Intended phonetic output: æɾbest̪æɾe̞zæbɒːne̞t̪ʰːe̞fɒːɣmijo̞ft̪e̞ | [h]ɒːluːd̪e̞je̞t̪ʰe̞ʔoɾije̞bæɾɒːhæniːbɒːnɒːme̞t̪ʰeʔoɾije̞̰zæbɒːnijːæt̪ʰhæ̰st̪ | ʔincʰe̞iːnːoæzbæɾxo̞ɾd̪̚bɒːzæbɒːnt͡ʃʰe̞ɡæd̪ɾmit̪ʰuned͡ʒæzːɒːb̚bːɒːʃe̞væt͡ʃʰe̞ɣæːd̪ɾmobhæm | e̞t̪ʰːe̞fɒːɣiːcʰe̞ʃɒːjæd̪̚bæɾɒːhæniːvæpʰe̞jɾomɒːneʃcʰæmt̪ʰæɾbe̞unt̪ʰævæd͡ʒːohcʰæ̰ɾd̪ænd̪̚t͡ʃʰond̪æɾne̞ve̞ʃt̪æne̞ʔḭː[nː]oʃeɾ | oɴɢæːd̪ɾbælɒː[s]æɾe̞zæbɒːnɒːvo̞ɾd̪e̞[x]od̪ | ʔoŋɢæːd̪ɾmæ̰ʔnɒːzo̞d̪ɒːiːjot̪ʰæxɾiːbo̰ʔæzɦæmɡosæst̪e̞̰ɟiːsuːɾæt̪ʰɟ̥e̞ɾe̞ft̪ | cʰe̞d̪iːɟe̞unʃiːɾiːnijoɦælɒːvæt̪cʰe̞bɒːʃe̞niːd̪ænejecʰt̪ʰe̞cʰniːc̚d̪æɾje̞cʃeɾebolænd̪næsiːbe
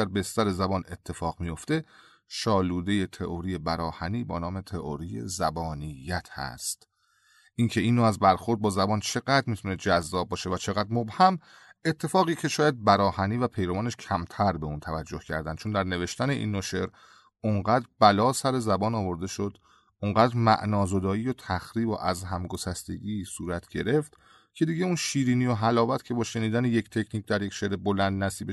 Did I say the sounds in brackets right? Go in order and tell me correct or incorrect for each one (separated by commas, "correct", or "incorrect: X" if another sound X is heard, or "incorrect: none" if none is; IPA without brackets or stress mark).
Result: incorrect: ʃ, correct, correct, incorrect: ʃ